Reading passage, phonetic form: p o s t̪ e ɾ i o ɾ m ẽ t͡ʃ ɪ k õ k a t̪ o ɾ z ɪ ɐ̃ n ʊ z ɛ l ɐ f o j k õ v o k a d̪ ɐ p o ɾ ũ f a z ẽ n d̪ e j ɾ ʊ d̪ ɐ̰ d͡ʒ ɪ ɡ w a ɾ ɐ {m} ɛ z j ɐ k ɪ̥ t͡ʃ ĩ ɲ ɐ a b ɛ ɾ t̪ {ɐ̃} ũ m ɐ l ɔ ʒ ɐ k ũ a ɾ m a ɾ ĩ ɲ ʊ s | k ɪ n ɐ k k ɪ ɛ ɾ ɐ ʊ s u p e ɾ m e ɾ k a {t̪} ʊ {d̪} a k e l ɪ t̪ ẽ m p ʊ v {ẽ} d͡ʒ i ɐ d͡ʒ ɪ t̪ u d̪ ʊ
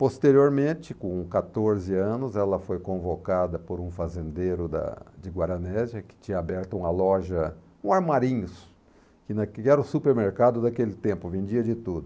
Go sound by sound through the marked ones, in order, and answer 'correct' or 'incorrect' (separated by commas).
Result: incorrect, incorrect, incorrect, correct, correct